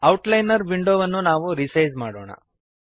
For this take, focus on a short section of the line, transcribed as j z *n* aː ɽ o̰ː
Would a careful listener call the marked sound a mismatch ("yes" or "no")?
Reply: yes